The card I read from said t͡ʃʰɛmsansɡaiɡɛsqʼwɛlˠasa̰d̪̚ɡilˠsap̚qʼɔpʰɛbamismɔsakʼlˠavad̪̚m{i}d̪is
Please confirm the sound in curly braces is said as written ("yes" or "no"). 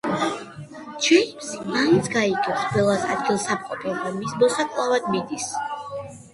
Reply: yes